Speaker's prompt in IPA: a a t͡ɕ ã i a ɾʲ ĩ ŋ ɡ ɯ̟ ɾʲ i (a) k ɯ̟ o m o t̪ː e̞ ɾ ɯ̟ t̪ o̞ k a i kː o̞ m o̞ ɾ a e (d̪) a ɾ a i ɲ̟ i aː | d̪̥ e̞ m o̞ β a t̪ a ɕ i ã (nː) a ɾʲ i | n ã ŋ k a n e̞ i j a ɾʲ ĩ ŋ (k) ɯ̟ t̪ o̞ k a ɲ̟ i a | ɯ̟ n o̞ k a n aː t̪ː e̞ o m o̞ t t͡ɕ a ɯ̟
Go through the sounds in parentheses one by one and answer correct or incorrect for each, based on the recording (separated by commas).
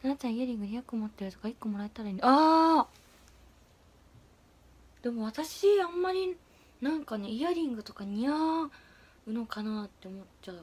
correct, incorrect, incorrect, incorrect